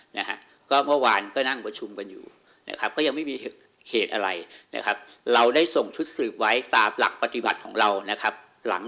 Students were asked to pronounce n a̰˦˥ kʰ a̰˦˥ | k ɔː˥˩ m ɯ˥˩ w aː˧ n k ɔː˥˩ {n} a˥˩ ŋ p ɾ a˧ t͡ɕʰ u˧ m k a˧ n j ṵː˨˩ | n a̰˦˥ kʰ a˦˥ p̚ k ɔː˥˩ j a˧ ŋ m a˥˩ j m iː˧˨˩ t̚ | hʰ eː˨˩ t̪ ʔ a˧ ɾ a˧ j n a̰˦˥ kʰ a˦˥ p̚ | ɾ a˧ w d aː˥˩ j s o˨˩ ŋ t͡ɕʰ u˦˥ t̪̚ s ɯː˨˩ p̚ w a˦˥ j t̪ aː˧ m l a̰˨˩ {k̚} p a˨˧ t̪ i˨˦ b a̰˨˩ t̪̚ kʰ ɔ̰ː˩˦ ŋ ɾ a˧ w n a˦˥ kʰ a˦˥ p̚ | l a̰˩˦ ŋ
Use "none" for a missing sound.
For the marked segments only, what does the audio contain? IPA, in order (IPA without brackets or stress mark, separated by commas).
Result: n, k̚